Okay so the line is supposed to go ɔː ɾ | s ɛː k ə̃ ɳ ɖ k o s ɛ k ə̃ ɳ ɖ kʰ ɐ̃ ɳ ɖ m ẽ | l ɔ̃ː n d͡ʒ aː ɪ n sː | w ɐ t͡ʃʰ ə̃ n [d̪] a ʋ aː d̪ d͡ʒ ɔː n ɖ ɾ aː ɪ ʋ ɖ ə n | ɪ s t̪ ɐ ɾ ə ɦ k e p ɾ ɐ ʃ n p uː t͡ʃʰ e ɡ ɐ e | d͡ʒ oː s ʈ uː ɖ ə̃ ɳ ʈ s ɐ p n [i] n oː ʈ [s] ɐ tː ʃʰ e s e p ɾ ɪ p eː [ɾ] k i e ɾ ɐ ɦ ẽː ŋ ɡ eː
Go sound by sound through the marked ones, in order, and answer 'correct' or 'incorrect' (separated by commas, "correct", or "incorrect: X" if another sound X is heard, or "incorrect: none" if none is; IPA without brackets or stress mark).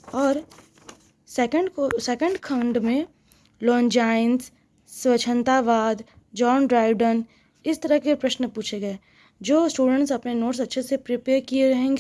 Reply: incorrect: t̪, incorrect: e, correct, correct